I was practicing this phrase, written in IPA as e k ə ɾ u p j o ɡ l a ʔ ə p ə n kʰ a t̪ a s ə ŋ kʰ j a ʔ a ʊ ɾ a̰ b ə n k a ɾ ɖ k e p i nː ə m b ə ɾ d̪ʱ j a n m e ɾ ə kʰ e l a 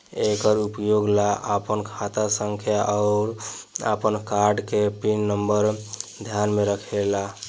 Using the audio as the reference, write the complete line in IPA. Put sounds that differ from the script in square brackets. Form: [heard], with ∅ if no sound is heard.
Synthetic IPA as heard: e k ə ɾ u p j o ɡ l a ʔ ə p ə n kʰ a t̪ a s ə ŋ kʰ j a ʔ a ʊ ɾ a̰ [p] ə n k a ɾ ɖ k e p i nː ə m b ə ɾ d̪ʱ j a n m e ɾ ə kʰ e l a

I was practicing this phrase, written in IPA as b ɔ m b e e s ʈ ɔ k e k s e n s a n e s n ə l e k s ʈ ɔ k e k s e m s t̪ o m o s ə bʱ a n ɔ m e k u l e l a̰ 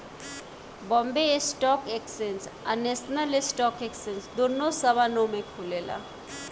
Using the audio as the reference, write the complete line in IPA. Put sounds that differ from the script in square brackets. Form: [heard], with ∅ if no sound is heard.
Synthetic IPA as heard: b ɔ m b e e s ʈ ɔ k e k s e n s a n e s n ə l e [∅] s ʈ ɔ k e k s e [n] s [d̪] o [n] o s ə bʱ a n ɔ m e [kʰ] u l e l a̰

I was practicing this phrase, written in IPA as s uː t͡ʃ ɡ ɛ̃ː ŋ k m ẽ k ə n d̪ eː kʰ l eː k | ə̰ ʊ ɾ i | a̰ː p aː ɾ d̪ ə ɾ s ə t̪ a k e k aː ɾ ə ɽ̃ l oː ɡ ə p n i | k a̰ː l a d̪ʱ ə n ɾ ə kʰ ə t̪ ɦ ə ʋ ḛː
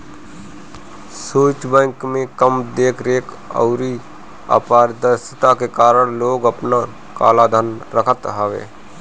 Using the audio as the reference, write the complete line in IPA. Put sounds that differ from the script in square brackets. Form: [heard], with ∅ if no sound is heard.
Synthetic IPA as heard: s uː t͡ʃ [b] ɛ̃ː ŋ k m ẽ k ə [m] d̪ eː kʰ [ɾ] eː k | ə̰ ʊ ɾ i | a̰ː p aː ɾ d̪ ə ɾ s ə t̪ a k e k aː ɾ ə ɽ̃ l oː ɡ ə p n [a] | k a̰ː l a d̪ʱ ə n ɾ ə kʰ ə t̪ ɦ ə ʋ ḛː

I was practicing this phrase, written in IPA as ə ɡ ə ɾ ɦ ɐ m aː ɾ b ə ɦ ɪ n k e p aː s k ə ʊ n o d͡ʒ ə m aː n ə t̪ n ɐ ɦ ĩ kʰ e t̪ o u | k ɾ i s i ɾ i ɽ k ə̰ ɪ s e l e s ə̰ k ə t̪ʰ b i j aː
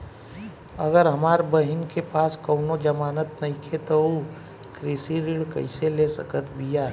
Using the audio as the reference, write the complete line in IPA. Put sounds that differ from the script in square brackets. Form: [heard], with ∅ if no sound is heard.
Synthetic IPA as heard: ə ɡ ə ɾ ɦ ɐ m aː ɾ b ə ɦ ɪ n k e p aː s k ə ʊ n o d͡ʒ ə m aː n ə t̪ n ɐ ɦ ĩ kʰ e t̪ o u | k ɾ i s i ɾ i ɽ k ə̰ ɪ s e l e s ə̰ k ə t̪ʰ b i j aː

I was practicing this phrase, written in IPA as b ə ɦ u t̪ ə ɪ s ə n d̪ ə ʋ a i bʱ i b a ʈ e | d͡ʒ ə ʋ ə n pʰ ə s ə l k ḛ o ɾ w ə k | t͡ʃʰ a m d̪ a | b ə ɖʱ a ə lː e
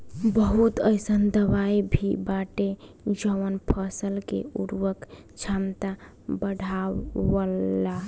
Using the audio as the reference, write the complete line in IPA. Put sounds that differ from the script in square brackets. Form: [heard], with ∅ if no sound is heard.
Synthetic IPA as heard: b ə ɦ u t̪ ə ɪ s ə n d̪ ə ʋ a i bʱ i b a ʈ e | d͡ʒ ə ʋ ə n pʰ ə s ə l k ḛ [u] ɾ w ə k | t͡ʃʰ a m [t̪] a | b ə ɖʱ a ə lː [a]

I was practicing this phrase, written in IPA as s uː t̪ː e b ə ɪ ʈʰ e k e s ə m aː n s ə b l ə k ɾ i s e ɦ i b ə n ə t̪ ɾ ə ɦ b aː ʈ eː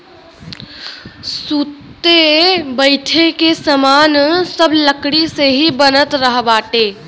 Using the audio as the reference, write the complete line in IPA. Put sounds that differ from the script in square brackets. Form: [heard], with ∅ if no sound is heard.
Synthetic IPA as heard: s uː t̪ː e b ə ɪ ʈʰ e k e s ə m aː n s ə b l ə k [ɽ] i s e ɦ i b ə n ə t̪ ɾ ə ɦ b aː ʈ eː

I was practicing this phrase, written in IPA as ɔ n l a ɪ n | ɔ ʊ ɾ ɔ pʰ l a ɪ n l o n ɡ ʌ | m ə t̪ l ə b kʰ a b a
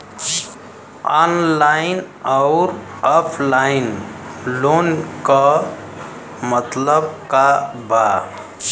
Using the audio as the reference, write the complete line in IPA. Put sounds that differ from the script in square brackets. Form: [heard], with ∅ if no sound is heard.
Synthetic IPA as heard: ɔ n l a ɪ n | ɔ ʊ ɾ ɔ pʰ l a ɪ n l o n [k] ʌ | m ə t̪ l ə b [k] a b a

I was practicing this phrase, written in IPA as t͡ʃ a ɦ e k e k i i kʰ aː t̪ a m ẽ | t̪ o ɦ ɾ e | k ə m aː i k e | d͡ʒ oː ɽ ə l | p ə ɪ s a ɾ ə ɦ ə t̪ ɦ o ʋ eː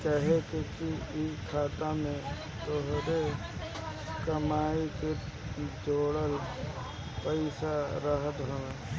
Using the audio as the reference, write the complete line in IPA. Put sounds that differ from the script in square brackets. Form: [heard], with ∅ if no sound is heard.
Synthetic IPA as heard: t͡ʃ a ɦ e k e k i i kʰ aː t̪ a m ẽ | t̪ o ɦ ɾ e | k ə m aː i k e | d͡ʒ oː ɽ ə l | p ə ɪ s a ɾ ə ɦ ə t̪ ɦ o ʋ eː

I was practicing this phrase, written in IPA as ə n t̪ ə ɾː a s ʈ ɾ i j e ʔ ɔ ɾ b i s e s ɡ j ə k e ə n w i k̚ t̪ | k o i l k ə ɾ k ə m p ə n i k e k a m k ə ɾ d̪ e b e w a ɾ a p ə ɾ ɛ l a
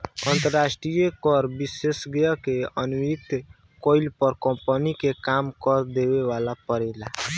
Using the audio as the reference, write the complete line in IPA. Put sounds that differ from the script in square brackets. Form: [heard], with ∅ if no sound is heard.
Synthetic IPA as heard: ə n t̪ ə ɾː a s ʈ ɾ i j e [k] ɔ ɾ b i s e s ɡ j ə k e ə n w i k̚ t̪ | k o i l [p] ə ɾ k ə m p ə n i k e k a m k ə ɾ d̪ e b e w a [l] a p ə ɾ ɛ l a

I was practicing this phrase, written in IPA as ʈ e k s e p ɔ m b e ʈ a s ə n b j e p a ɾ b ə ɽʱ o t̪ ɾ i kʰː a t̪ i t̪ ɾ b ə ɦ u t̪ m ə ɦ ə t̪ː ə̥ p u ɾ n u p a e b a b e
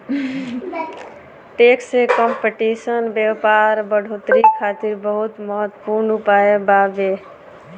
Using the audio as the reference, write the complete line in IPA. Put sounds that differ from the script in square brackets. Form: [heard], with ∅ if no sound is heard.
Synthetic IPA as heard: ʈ e k s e [k] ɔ m [p] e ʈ [i] s ə n b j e p a ɾ b ə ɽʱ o t̪ ɾ i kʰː a t̪ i [∅] ɾ b ə ɦ u t̪ m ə ɦ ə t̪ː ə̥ p u ɾ n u p a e b a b e

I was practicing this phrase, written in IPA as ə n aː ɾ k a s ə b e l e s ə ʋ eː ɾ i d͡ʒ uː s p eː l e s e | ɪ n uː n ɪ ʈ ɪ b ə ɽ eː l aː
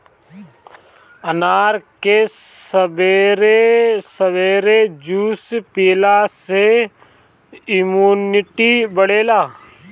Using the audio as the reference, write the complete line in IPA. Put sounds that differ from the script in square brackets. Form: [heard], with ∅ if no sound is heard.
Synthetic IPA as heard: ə n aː ɾ k [e] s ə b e [ɾ] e s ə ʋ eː ɾ [e] d͡ʒ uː s p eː l [a] s e | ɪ [m] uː n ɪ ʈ [i] b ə ɽ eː l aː

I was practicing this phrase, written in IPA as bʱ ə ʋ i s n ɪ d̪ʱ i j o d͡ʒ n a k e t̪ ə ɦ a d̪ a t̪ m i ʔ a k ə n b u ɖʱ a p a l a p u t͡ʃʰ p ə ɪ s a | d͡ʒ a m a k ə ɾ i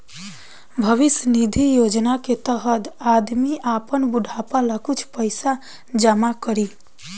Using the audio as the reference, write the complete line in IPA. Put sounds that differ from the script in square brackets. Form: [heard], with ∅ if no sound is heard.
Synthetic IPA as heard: bʱ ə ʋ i s n [i] d̪ʱ i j o d͡ʒ n a k e t̪ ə ɦ [ə] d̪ a [d̪] m i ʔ a [p] ə n b u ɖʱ a p a l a [k] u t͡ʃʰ p ə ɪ s a | d͡ʒ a m a k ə ɾ i

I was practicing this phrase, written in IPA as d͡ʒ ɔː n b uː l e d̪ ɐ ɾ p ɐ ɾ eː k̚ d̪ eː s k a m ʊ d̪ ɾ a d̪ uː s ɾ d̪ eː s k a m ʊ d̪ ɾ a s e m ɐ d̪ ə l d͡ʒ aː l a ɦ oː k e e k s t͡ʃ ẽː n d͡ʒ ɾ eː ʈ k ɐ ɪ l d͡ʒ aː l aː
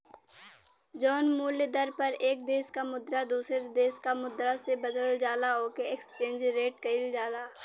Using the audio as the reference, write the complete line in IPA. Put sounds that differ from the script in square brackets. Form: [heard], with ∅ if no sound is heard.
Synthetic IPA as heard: d͡ʒ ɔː n [m] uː l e d̪ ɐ ɾ p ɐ ɾ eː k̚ d̪ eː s k a m ʊ d̪ ɾ a d̪ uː s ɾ d̪ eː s k a m ʊ d̪ ɾ a s e [b] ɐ d̪ ə l d͡ʒ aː l a ɦ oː k e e k s t͡ʃ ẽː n d͡ʒ ɾ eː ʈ k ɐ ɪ l d͡ʒ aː l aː

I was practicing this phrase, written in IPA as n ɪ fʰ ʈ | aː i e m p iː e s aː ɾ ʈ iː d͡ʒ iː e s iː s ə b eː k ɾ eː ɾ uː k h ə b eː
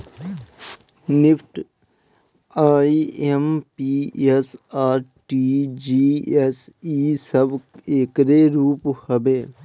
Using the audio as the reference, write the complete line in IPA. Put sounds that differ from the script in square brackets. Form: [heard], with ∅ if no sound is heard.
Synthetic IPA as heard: n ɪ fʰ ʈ | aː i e m p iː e s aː ɾ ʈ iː d͡ʒ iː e s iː s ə b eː k ɾ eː ɾ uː [p] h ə b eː

